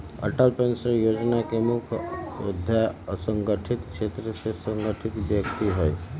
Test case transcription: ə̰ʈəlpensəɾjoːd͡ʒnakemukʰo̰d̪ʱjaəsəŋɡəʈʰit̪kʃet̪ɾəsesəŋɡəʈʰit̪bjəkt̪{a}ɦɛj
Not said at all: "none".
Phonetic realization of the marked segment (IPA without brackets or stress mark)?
i